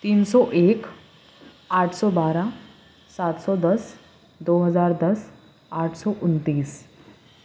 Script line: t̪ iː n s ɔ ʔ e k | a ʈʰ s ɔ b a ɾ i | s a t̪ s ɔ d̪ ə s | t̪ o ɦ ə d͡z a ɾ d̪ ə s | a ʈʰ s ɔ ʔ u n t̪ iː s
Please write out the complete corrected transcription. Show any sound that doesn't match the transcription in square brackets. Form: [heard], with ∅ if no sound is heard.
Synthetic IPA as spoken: t̪ iː n s ɔ ʔ e k | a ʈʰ s ɔ b a ɾ [a] | s a t̪ s ɔ d̪ ə s | [d̪] o ɦ ə d͡z a ɾ d̪ ə s | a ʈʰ s ɔ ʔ u n t̪ iː s